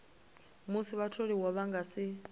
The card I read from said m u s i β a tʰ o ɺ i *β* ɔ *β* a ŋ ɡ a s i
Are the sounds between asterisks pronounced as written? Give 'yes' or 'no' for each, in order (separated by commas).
no, yes